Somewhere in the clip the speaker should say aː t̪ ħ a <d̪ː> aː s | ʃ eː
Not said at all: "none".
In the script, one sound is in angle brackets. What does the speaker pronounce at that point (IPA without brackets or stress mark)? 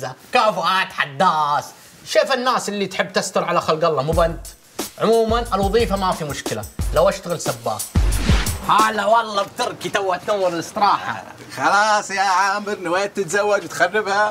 d̪ː